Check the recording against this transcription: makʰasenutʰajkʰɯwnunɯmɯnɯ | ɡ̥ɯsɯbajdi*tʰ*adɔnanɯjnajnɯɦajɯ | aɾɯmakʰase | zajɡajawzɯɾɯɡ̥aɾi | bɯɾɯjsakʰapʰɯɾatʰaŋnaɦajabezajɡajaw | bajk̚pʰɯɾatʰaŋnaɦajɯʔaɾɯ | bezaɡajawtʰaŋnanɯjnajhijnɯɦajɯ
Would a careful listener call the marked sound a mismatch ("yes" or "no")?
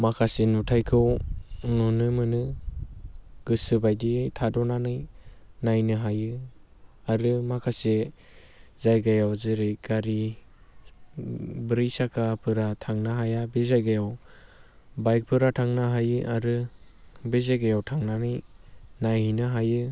no